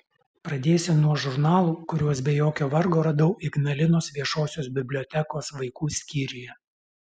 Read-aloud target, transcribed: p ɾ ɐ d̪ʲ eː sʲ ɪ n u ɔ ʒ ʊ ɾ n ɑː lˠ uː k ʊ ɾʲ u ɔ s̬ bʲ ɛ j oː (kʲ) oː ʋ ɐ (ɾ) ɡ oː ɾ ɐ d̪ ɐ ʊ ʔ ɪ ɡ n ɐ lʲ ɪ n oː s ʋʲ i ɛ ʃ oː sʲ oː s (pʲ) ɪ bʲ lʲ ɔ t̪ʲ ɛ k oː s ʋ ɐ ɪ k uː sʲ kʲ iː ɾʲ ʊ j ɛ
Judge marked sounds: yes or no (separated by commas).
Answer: yes, yes, no